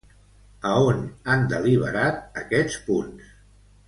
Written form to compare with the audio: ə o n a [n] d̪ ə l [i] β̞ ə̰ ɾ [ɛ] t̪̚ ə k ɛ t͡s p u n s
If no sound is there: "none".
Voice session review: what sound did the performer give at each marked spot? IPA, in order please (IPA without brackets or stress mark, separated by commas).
n, i, a